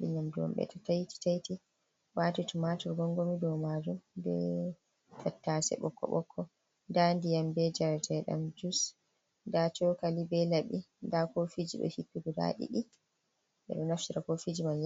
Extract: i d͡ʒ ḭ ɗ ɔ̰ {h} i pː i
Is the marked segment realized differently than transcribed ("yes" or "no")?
no